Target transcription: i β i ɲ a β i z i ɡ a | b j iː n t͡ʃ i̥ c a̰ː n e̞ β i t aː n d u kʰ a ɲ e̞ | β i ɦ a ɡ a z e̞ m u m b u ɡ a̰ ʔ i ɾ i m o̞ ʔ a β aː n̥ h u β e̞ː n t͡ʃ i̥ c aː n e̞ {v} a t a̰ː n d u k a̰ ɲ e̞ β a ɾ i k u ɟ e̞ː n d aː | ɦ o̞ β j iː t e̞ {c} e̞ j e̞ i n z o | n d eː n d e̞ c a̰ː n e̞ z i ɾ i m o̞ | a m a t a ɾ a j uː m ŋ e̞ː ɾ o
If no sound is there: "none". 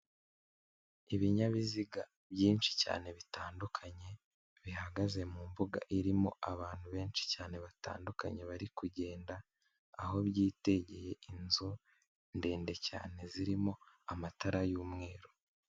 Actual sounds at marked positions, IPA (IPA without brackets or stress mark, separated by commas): β, ɟ